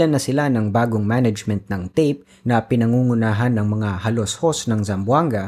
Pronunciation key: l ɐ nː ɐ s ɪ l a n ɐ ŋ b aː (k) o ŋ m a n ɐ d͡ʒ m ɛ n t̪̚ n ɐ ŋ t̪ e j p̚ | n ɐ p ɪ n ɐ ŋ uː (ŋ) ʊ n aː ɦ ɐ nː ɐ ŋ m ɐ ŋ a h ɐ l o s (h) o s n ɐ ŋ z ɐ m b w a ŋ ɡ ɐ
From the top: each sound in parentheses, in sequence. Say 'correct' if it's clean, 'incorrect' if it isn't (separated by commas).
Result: incorrect, correct, correct